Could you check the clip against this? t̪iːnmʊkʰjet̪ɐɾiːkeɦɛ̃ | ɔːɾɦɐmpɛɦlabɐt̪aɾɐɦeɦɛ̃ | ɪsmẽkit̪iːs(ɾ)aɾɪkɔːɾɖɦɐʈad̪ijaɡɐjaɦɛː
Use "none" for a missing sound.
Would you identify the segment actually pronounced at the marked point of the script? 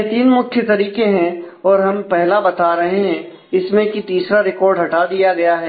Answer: ɾ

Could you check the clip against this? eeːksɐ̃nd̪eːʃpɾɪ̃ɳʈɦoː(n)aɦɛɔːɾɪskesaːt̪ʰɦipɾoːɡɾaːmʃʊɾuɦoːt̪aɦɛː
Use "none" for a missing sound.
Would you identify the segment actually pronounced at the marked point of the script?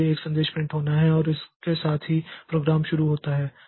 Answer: n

